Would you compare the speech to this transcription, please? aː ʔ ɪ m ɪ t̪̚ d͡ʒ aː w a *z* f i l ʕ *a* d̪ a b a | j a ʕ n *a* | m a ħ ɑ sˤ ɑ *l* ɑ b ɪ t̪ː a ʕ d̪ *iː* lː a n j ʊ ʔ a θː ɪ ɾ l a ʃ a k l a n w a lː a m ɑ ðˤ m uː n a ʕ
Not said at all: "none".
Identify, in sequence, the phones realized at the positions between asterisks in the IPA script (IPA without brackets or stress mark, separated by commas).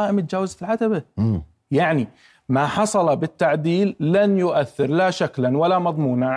z, a, i, l, iː